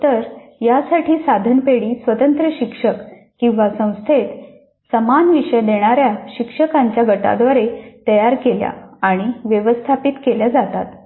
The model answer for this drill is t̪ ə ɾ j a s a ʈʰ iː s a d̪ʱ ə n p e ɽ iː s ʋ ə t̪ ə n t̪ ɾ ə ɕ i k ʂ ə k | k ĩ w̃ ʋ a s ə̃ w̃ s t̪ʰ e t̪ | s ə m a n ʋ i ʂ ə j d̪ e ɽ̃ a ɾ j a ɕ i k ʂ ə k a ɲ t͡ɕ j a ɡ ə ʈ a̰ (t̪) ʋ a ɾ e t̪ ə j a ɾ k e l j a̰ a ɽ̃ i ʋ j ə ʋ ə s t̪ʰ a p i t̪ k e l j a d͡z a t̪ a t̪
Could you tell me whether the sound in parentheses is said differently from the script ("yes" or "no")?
yes